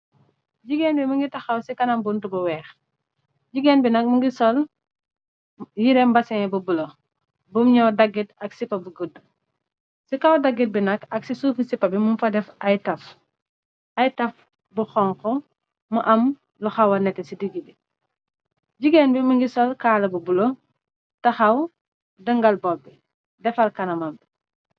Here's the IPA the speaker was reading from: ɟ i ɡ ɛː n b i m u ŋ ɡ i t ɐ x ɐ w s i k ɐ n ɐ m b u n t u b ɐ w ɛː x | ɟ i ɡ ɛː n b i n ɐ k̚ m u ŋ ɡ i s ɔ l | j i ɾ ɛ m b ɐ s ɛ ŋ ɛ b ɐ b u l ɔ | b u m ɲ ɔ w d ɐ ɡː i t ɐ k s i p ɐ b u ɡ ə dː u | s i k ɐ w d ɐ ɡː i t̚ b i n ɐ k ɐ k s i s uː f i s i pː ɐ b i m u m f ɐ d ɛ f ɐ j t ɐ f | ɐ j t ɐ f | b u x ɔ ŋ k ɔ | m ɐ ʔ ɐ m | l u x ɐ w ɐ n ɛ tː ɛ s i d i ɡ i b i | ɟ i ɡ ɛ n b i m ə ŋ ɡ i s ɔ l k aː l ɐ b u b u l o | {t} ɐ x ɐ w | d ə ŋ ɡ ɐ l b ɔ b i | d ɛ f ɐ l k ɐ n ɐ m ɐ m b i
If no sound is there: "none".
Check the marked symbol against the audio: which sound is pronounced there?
t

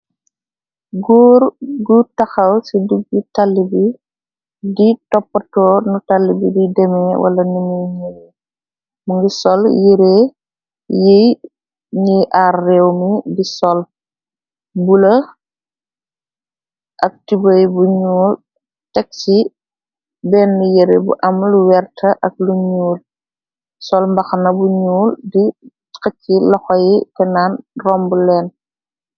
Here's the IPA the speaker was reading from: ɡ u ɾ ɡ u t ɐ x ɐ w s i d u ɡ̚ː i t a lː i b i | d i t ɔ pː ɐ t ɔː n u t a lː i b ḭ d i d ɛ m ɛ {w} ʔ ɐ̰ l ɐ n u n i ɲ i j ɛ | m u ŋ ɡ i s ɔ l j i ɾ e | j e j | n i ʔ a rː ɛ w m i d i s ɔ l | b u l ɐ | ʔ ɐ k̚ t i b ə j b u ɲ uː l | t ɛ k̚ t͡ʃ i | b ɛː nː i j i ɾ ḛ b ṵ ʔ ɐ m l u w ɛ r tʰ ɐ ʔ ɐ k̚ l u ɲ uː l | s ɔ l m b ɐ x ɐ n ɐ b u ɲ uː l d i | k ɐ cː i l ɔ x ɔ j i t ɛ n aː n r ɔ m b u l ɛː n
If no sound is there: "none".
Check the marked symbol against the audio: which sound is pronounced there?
w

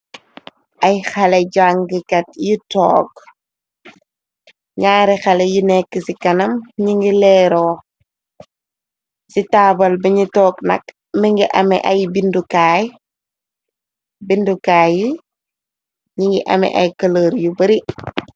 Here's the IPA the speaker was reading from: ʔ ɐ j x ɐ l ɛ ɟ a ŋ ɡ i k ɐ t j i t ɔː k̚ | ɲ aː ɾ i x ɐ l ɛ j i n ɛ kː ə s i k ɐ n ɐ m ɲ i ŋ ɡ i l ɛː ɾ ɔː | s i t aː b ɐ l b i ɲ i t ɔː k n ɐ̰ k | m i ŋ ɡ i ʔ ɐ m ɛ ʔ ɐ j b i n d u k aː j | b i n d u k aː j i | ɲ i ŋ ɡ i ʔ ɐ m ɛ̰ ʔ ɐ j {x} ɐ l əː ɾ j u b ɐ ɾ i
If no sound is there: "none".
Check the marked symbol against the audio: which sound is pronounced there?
k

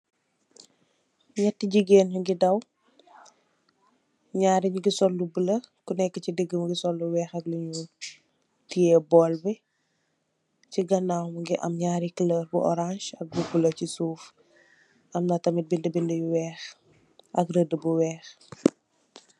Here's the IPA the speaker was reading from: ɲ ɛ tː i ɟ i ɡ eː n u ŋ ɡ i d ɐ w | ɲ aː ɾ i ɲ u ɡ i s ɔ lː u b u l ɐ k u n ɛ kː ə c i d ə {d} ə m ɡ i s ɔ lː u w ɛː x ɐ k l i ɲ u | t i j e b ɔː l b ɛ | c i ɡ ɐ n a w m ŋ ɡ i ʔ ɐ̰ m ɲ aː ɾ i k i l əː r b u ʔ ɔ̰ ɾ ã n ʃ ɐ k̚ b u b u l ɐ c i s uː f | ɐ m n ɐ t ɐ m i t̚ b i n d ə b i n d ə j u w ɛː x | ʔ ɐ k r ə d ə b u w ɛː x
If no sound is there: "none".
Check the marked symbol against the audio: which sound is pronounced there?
ɡ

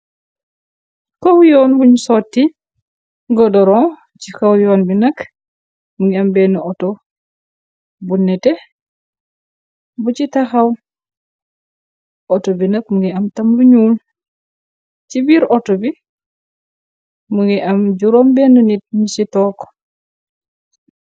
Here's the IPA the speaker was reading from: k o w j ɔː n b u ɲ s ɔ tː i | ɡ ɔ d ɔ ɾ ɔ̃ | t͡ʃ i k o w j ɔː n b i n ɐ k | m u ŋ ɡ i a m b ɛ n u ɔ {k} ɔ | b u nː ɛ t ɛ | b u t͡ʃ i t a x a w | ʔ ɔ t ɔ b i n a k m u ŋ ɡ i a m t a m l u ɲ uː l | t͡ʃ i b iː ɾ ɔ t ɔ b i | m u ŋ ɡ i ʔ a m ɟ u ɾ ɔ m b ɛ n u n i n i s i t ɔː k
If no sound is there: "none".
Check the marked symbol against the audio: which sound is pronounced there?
t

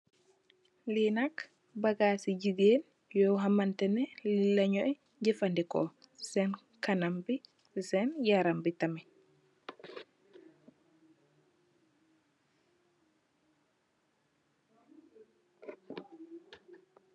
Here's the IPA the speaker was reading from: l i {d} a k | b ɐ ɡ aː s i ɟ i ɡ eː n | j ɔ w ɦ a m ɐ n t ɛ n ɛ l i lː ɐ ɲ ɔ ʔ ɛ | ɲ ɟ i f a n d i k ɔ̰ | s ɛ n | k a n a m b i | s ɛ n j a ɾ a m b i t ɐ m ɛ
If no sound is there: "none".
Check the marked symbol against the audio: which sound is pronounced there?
n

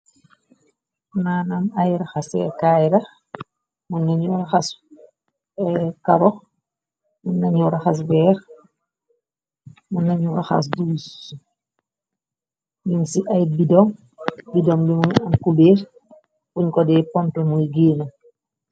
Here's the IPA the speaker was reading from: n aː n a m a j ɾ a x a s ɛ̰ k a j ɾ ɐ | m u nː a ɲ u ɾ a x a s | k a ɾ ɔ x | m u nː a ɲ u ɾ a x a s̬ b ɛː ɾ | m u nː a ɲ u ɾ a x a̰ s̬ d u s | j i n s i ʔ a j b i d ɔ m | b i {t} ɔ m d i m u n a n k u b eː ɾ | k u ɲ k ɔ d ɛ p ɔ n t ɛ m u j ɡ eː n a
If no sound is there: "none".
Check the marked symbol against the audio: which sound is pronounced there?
d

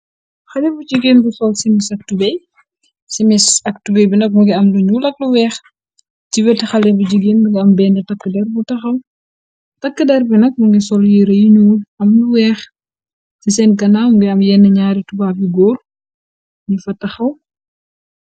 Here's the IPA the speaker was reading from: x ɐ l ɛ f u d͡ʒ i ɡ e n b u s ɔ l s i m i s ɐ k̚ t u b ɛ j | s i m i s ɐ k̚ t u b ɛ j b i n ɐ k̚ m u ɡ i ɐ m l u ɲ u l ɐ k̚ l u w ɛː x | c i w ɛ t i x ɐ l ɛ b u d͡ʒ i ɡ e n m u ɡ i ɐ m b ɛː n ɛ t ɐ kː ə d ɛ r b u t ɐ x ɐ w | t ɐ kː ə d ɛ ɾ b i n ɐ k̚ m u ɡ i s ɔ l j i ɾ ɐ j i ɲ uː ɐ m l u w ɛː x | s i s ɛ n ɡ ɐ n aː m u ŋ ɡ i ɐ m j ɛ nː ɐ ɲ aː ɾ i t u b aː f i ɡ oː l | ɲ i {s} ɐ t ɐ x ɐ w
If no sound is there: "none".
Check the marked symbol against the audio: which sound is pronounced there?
f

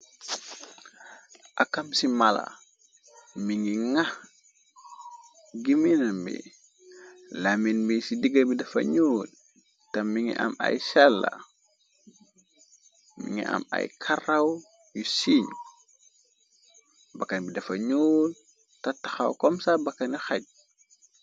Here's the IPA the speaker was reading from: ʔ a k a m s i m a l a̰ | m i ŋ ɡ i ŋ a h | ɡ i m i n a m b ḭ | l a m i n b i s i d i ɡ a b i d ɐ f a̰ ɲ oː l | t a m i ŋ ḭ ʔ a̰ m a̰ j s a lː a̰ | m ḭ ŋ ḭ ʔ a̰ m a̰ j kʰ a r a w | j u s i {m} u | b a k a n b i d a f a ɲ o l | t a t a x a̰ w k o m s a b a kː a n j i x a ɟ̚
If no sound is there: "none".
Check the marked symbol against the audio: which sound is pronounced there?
ɲ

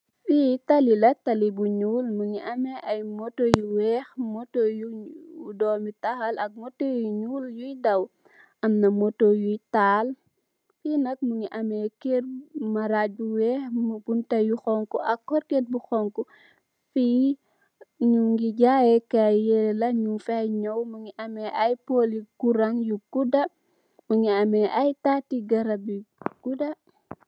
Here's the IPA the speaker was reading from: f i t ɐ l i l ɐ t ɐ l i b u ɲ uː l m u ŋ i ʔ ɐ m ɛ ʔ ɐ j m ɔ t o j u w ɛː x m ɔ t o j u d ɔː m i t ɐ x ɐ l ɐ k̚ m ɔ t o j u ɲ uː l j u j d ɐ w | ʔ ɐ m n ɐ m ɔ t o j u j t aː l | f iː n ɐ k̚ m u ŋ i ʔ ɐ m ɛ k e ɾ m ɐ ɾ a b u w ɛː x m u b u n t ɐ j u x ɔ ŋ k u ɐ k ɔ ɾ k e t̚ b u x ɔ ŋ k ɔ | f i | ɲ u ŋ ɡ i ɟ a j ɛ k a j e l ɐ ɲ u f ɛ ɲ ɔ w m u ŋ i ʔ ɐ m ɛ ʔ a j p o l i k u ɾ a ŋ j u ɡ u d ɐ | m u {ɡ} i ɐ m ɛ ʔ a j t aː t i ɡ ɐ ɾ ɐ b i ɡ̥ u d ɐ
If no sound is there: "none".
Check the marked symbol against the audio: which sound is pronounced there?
ŋ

